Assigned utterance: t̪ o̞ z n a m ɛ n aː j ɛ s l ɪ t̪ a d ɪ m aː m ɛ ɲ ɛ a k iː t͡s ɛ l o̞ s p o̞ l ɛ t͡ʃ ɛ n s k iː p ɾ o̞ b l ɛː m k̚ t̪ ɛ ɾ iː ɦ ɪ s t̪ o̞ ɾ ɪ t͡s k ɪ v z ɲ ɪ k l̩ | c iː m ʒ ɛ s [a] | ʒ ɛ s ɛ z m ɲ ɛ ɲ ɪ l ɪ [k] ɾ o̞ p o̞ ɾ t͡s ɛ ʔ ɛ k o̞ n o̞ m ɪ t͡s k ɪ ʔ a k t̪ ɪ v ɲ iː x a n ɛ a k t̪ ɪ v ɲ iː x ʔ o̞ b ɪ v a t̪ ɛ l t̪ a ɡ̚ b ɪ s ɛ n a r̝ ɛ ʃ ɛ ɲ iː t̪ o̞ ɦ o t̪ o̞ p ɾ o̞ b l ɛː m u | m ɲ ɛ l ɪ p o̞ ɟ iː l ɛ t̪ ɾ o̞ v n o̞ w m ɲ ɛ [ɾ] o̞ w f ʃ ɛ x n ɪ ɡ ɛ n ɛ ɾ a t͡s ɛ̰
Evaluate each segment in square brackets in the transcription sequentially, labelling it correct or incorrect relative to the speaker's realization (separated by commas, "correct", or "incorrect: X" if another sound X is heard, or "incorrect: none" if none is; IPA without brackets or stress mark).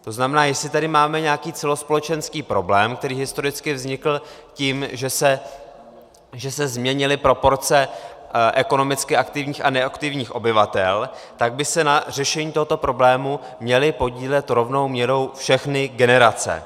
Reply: incorrect: ɛ, incorrect: p, correct